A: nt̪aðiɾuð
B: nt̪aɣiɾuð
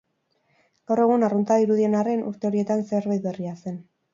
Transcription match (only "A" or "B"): A